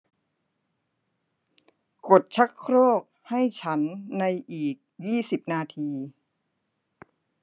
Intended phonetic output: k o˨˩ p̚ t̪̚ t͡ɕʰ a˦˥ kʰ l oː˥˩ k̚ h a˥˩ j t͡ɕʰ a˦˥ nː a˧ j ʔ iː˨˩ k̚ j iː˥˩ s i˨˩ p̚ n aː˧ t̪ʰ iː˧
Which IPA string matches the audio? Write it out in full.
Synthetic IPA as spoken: k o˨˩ t̪̚ t͡ɕʰ a˦˥ kʰ ɾ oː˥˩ k̚ h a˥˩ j t͡ɕʰ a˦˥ nː a˧ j ʔ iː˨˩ k̚ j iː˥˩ s i˨˩ p̚ n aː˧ t̪ʰ iː˧